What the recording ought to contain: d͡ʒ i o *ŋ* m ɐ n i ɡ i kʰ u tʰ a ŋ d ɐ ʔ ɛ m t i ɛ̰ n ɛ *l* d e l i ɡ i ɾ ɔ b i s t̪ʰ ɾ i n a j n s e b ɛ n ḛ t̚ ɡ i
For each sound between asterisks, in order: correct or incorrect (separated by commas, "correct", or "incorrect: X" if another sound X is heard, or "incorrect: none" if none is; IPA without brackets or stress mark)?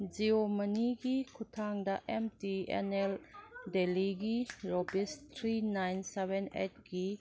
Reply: incorrect: none, correct